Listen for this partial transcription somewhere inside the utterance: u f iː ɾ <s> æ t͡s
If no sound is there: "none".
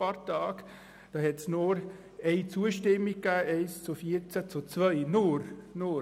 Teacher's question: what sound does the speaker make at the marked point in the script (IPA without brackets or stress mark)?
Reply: t͡s